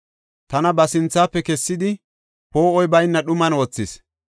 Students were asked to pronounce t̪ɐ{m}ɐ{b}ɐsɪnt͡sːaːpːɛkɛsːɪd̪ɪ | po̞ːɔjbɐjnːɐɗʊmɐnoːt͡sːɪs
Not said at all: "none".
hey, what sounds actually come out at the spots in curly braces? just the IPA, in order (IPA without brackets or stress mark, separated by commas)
n, b